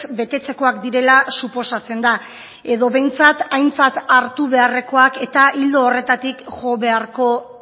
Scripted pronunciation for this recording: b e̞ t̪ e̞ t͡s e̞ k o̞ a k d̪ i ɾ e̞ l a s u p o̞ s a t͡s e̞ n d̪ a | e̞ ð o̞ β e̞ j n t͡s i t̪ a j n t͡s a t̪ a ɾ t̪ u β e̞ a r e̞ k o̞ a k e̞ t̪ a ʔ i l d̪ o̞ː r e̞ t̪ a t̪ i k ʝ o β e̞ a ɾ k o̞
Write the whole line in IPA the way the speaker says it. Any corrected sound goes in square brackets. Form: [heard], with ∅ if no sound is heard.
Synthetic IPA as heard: b e̞ t̪ e̞ t͡s e̞ k o̞ a k d̪ i ɾ e̞ l a s u p o̞ s a t͡s e̞ n d̪ a | e̞ ð o̞ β e̞ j n t͡s [a] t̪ a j n t͡s a t̪ a ɾ t̪ u β e̞ a r e̞ k o̞ a k e̞ t̪ a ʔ i l d̪ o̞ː r e̞ t̪ a t̪ i k ʝ o β e̞ a ɾ k o̞